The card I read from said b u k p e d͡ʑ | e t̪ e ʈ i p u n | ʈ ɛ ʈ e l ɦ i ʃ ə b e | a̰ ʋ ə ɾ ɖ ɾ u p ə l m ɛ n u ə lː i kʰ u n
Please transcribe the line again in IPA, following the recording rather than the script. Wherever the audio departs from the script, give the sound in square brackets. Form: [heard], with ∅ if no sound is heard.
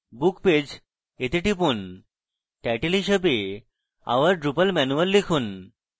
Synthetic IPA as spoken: b u k p e d͡ʑ | e t̪ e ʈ i p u n | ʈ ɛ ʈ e l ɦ i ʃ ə b e | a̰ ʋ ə ɾ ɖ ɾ u p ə l m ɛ n u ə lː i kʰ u n

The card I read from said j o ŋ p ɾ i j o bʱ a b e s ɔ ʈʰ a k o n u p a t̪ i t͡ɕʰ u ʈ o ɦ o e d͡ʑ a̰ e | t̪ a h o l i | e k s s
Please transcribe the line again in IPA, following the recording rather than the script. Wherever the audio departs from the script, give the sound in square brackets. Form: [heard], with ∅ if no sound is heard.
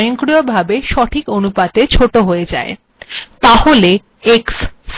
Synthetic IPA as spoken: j o ŋ [k] ɾ i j o bʱ a b e [ʃ] ɔ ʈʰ [i] k o n u p a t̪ [e] t͡ɕʰ [o] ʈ o ɦ o e d͡ʑ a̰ e | t̪ a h o l [e] | e k s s

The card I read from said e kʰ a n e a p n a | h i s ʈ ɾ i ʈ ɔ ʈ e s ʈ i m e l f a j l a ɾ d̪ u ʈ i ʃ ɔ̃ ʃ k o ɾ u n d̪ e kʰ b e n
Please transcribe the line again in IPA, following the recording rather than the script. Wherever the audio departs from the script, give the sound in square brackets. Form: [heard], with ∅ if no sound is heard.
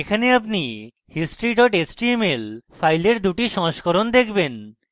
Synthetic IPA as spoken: e kʰ a n e a p n [i] | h i s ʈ ɾ i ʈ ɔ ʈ e s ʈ i m e l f a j l [e] ɾ d̪ u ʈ i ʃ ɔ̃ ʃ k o ɾ [o] n d̪ e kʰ b e n

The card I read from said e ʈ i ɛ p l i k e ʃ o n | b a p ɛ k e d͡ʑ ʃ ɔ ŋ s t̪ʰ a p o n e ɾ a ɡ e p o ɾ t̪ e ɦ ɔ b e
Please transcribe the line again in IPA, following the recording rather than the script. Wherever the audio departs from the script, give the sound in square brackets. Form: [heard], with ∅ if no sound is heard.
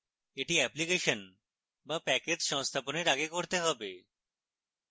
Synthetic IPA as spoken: e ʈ i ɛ p l i k e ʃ o n | b a p ɛ k e d͡ʑ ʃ ɔ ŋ s t̪ʰ a p o n e ɾ a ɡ e [k] o ɾ t̪ e ɦ ɔ b e

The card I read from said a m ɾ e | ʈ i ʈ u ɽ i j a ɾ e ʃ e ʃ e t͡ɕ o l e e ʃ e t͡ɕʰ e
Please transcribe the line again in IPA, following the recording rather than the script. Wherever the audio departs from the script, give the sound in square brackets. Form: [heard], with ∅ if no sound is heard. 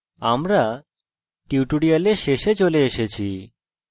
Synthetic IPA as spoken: a m ɾ [a] | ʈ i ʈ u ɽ i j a [l] e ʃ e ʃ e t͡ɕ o l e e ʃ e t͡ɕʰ [i]

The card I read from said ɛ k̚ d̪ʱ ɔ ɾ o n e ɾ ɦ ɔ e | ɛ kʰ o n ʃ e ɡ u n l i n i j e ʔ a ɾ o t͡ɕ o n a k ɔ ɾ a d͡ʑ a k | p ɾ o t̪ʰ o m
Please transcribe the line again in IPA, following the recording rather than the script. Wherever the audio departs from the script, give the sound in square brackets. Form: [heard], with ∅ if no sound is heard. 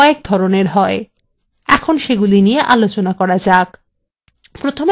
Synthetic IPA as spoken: [e] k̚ d̪ʱ ɔ ɾ o n e ɾ ɦ ɔ e | ɛ kʰ o n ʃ e ɡ u [∅] l i n i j e ʔ a [l] o t͡ɕ o n a k ɔ ɾ a d͡ʑ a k | p ɾ o t̪ʰ o m

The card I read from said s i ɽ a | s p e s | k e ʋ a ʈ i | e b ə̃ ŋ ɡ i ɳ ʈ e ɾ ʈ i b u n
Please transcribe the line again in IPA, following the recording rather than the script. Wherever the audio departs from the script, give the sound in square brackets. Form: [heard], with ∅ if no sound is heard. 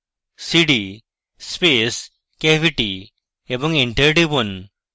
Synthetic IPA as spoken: s i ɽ [i] | s p e s | k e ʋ [i] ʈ i | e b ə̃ ŋ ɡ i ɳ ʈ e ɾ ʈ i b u n

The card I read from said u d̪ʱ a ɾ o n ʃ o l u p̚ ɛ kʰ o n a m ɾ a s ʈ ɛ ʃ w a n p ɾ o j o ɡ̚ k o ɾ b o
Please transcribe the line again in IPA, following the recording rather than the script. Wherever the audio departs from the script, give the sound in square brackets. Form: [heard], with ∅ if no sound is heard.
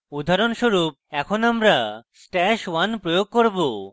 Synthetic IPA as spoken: u d̪ʱ a ɾ o n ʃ o [ɾ] u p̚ ɛ kʰ o n a m ɾ a s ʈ ɛ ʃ w a n p ɾ o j o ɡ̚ k o ɾ b o

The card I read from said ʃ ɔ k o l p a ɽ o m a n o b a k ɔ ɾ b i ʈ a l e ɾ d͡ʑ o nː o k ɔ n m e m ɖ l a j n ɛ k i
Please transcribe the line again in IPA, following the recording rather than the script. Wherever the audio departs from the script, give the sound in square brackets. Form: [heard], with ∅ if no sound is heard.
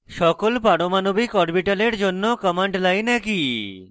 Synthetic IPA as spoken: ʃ ɔ k o l p a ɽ o m a n o b [i] k ɔ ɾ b i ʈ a l e ɾ d͡ʑ o nː o k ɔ [∅] m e [ɳ] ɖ l a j n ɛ k i

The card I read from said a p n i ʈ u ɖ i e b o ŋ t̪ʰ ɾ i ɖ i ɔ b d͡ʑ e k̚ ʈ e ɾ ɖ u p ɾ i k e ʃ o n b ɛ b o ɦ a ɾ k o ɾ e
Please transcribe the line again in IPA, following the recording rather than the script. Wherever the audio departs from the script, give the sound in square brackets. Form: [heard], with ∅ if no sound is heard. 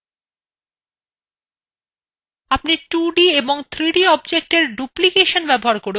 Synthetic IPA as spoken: a p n i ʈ u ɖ i e b o ŋ t̪ʰ ɾ i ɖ i ɔ b d͡ʑ e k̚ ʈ e ɾ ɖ u p [l] i k e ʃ o n b ɛ b o ɦ a ɾ k o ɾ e

